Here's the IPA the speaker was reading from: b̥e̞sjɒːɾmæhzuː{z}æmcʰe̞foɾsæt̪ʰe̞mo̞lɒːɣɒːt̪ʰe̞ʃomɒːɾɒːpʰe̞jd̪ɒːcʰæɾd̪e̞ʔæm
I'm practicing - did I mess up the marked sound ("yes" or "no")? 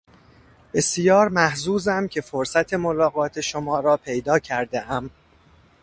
no